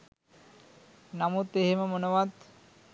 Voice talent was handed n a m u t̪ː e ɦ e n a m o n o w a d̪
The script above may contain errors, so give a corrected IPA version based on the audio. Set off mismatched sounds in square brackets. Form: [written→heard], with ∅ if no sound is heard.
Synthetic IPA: n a m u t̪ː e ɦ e [n→m] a m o n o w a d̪